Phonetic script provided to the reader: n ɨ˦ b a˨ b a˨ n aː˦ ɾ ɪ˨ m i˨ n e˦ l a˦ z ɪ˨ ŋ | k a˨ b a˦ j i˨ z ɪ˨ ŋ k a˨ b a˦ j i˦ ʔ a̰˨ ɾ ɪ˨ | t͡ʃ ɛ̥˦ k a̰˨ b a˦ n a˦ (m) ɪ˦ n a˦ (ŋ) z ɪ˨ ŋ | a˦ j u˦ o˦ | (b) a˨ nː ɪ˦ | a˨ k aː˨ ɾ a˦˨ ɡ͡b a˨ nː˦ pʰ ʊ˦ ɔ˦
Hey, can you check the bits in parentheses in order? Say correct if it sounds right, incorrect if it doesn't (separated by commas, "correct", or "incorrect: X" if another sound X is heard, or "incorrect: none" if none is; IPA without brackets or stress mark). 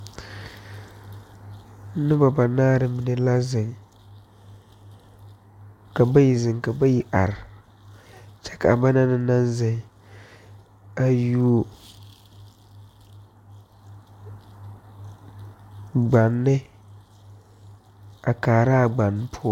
incorrect: n, incorrect: n, incorrect: ɡ͡b